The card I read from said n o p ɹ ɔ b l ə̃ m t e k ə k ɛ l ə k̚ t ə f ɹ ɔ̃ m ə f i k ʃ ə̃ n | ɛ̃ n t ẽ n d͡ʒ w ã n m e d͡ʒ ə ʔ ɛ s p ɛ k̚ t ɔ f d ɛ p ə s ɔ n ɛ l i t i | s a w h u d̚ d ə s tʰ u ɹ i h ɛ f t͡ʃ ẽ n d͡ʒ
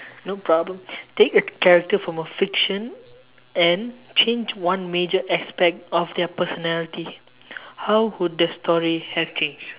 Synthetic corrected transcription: n o p ɹ ɔ b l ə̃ m t e k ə k ɛ ɹ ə k̚ t ə f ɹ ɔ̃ m ə f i k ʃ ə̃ n | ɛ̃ n t͡ʃ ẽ n d͡ʒ w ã n m e d͡ʒ ə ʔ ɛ s p ɛ k̚ t ɔ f d ɛ p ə s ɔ n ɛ l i t i | h a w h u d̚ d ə s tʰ ɔ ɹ i h ɛ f t͡ʃ ẽ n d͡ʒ